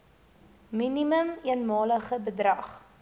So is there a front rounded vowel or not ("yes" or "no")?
no